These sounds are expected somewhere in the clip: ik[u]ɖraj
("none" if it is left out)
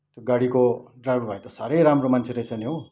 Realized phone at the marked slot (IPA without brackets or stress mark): o